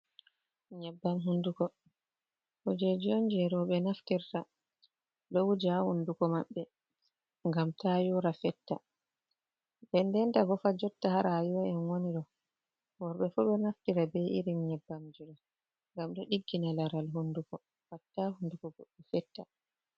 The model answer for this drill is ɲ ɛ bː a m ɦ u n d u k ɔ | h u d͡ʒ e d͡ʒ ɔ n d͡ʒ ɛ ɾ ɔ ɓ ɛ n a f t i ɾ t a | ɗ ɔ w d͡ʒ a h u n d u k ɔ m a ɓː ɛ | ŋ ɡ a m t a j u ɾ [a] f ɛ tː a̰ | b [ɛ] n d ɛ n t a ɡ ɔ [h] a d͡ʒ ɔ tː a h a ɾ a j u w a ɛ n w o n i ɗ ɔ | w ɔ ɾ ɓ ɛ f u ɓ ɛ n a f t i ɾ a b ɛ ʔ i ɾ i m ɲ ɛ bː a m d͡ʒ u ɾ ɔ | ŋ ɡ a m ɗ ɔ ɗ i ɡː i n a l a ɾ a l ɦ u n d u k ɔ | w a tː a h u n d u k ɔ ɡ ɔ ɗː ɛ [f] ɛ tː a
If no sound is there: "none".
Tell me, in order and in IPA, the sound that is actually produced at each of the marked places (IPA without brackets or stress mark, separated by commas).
a, ɛ, f, f